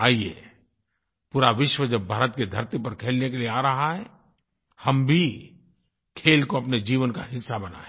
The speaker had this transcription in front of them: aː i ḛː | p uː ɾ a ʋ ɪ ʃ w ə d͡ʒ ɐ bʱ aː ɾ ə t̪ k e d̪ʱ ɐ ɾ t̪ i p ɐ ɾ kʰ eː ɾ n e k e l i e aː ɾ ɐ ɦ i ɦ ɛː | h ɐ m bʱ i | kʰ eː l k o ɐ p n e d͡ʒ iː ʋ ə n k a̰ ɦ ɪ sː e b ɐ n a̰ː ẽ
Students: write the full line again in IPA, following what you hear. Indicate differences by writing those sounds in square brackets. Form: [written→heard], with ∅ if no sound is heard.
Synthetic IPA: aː i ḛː | p uː ɾ a ʋ ɪ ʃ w ə d͡ʒ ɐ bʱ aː ɾ ə t̪ k e d̪ʱ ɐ ɾ t̪ i p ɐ ɾ kʰ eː [ɾ→l] n e k e l i e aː ɾ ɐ ɦ [i→a] ɦ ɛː | h ɐ m bʱ i | kʰ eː l k o ɐ p n e d͡ʒ iː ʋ ə n k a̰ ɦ ɪ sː [e→a] b ɐ n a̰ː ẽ